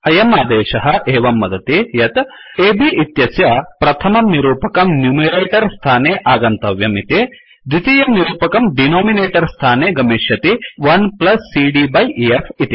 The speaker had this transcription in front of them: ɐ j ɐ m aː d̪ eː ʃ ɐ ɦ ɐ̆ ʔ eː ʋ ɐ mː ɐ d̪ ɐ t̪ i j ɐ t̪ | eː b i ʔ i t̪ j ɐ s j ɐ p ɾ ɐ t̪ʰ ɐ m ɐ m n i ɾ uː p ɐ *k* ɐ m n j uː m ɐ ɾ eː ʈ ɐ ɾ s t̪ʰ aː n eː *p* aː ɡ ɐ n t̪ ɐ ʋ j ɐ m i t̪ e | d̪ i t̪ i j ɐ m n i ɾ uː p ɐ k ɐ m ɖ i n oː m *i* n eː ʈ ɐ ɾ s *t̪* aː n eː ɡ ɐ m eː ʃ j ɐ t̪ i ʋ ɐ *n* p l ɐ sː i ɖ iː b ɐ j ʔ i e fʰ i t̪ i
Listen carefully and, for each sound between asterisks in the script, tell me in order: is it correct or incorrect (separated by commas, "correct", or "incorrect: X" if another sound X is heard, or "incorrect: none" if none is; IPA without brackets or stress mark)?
correct, incorrect: ʔ, correct, incorrect: t̪ʰ, correct